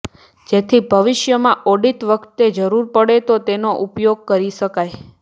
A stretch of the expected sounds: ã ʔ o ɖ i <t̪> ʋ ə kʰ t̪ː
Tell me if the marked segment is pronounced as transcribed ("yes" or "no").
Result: yes